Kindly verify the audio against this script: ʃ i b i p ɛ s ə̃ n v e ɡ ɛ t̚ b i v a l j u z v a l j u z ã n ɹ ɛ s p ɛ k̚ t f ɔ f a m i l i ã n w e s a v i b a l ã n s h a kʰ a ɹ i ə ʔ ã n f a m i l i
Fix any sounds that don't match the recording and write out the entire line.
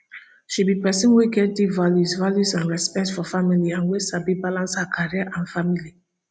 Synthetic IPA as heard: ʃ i b i p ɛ s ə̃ n w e ɡ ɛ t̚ d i v a l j u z v a l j u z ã n ɹ ɛ s p ɛ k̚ t f ɔ f a m i l i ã n w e s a b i b a l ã n s h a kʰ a ɹ i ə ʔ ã n f a m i l i